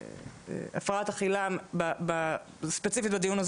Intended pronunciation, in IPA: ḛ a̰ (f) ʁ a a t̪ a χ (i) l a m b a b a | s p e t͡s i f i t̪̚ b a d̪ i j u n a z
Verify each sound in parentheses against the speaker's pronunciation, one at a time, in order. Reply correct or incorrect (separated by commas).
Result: correct, correct